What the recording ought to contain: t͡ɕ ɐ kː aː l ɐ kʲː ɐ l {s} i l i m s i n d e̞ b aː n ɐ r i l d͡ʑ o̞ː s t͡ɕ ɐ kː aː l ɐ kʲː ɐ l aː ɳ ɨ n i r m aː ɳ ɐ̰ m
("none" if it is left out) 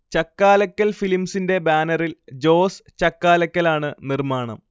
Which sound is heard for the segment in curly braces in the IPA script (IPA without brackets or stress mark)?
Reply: f